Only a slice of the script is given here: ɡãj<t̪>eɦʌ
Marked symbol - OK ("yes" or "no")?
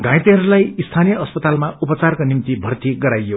yes